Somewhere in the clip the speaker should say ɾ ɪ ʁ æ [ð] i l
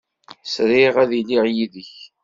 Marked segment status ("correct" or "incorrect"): correct